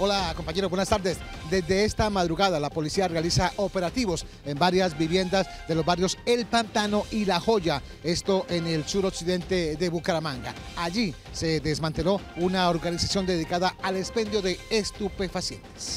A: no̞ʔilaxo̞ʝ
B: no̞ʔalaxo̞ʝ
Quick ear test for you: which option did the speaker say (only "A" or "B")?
A